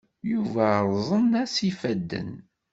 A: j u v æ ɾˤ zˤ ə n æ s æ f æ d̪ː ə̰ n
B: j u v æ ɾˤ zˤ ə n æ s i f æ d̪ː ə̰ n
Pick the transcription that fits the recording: B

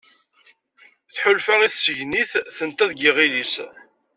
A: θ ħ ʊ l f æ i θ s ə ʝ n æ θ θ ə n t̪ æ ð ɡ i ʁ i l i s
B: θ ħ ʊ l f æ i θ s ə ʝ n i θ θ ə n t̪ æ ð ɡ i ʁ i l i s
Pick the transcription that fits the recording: B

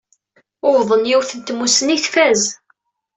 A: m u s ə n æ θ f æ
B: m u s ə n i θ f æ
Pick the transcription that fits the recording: B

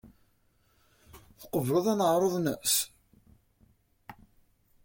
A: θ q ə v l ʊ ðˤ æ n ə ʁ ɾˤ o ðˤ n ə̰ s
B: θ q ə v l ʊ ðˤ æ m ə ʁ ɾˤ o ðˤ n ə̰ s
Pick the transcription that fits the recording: A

